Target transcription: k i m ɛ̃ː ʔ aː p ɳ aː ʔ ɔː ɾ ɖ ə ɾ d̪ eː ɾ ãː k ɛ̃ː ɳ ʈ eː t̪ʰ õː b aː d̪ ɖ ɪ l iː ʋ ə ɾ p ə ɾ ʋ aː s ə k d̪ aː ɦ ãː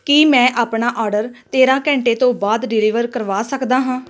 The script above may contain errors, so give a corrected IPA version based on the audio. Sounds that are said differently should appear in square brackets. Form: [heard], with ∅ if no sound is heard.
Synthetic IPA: k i m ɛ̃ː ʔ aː p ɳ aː ʔ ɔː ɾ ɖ ə ɾ [t̪] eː ɾ ãː k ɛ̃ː ɳ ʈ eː [t̪] õː b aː d̪ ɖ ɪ l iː ʋ ə ɾ [k] ə ɾ ʋ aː s ə k d̪ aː ɦ ãː